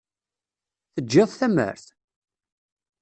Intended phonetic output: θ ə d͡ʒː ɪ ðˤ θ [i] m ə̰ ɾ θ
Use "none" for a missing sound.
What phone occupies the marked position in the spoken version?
æ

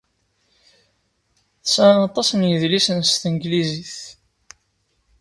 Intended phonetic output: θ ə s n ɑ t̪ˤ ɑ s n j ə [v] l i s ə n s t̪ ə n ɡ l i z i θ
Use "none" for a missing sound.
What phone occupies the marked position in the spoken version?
ð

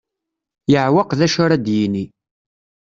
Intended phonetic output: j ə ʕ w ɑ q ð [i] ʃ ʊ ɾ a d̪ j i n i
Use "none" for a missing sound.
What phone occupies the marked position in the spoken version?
æ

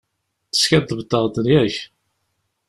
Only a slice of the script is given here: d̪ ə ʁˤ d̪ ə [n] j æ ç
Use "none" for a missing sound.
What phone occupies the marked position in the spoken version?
n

